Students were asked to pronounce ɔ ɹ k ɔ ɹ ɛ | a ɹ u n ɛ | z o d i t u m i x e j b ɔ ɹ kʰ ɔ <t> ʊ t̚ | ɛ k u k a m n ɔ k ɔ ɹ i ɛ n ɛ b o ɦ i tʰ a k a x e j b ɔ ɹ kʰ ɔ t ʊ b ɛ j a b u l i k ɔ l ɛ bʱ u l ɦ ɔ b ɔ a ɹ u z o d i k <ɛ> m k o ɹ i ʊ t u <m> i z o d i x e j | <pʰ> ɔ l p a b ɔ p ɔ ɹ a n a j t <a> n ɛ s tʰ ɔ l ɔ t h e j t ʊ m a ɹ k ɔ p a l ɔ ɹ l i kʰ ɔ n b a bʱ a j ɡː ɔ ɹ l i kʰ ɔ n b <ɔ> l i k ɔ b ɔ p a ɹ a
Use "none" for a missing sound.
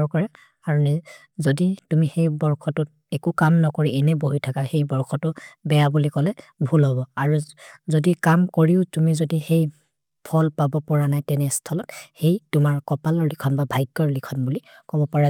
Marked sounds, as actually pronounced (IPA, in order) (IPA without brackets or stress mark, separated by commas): t, a, m, pʰ, ɛ, u